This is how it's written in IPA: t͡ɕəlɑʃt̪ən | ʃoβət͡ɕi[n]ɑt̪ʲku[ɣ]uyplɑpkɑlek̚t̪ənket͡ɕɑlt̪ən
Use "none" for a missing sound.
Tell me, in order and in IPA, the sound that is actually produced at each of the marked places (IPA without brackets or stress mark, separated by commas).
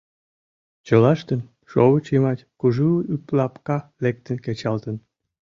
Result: m, ʒ